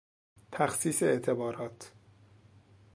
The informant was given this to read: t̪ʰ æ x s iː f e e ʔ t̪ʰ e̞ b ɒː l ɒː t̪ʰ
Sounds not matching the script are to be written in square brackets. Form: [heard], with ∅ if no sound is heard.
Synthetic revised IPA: t̪ʰ æ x s iː [s] e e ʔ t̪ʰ e̞ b ɒː [ɾ] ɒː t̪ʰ